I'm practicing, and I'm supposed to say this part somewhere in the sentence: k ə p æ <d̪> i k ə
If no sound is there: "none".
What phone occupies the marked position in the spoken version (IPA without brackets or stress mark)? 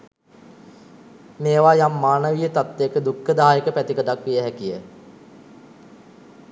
t̪